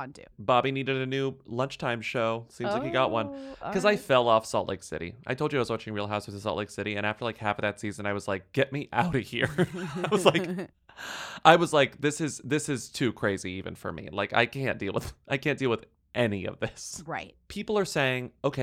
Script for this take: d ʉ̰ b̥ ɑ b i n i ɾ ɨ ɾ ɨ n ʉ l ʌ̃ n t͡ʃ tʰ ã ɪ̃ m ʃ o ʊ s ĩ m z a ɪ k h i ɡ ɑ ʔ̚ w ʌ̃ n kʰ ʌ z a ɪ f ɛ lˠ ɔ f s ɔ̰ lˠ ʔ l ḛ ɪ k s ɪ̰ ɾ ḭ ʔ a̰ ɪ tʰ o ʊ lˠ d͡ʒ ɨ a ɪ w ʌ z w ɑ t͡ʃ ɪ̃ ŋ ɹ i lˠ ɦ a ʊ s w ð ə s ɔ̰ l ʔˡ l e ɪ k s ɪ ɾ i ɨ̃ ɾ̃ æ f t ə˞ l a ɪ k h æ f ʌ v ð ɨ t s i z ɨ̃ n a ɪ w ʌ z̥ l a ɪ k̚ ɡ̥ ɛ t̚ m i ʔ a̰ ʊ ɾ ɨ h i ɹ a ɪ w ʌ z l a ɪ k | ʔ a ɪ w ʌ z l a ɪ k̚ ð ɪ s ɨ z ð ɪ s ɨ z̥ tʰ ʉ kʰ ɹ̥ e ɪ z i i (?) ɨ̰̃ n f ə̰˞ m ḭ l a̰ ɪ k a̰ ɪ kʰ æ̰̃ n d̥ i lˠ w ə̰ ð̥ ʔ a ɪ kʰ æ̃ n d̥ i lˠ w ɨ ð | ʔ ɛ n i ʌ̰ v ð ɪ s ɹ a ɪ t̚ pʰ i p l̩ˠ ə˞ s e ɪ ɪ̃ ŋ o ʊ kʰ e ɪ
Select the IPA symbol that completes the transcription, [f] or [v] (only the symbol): v